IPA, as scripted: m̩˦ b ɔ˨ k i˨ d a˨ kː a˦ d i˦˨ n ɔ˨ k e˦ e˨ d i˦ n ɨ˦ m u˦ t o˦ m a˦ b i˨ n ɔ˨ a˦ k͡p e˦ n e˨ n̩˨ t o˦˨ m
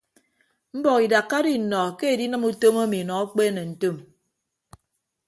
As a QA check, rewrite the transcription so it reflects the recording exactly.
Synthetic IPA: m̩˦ b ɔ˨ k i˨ d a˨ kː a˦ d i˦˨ n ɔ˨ k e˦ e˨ d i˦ n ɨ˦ m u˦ t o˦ m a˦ m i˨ n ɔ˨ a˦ k͡p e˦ n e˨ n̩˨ t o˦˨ m